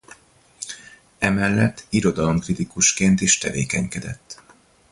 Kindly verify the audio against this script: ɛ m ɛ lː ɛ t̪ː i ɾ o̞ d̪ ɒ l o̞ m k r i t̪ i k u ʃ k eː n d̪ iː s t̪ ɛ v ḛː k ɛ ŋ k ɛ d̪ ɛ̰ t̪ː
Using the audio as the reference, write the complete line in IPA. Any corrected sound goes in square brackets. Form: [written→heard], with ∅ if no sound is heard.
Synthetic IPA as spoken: ɛ m ɛ lː ɛ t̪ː i ɾ o̞ d̪ ɒ l o̞ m k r i t̪ i k u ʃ k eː n [d̪→t̪] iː [s→ʃ] t̪ ɛ v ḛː k ɛ [ŋ→ɲ] k ɛ d̪ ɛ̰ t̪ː